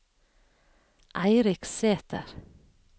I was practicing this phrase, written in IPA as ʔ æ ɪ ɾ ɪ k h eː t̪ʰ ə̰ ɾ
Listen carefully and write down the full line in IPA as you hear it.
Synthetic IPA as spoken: ʔ æ ɪ ɾ ɪ k s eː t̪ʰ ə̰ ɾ